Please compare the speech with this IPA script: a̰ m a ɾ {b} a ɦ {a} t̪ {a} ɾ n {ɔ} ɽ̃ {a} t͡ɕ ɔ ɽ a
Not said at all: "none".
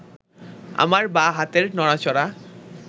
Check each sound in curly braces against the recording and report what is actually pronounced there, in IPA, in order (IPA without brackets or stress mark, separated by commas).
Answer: b, a, e, ɔ, a